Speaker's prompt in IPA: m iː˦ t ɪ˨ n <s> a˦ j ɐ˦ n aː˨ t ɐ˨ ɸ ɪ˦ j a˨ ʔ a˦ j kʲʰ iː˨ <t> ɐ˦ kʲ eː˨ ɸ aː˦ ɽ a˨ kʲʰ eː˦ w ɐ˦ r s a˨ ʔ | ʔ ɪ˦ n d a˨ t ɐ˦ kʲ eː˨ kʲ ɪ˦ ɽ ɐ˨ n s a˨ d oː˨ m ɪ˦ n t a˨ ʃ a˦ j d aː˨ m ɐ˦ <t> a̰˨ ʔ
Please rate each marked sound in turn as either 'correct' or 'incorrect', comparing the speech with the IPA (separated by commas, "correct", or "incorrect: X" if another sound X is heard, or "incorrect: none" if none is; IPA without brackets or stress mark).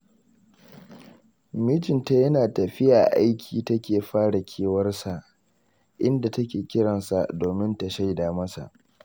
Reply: incorrect: t, correct, incorrect: s